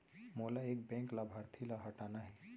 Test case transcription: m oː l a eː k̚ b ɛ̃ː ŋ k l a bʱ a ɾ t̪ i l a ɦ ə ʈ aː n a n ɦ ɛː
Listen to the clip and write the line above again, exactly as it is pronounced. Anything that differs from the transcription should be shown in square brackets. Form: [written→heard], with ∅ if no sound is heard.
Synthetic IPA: m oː l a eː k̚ b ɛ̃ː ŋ k l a bʱ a ɾ [t̪→t̪ʰ] i l a ɦ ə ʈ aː n a [n→∅] ɦ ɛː